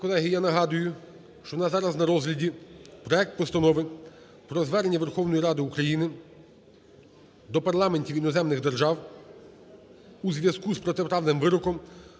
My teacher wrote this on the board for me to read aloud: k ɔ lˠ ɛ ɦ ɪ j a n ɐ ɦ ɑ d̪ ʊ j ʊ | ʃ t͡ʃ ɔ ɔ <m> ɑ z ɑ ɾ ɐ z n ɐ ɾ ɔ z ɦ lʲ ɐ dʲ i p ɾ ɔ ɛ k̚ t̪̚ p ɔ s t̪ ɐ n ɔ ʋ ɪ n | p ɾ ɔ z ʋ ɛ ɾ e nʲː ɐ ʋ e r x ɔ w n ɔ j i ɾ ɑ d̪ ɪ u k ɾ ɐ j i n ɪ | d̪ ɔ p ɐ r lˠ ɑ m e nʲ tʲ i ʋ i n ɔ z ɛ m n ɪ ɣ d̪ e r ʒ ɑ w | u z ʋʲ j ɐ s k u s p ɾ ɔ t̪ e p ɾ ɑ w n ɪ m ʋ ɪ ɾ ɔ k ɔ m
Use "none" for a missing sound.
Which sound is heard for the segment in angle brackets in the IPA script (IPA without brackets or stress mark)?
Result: n